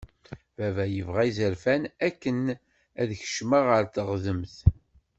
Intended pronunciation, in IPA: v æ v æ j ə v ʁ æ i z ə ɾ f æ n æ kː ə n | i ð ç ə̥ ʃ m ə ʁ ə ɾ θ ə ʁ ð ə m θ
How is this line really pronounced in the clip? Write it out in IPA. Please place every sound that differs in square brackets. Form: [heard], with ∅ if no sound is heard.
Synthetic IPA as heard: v æ v æ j ə v ʁ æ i z ə ɾ f æ n æ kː ə n | [æ] ð ç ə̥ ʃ m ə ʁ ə ɾ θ ə ʁ ð ə m θ